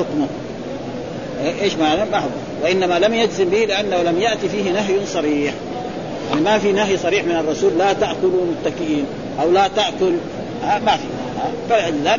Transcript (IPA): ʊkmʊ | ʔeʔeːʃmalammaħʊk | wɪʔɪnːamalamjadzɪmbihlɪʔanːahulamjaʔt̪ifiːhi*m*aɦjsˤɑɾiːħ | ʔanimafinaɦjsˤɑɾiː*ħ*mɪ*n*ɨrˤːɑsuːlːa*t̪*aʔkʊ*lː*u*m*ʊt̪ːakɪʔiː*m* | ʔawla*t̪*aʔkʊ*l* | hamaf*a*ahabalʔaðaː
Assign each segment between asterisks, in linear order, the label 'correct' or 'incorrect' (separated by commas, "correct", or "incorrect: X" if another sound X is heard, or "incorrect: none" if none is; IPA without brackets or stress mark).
incorrect: n, correct, correct, correct, incorrect: l, correct, incorrect: n, correct, correct, incorrect: i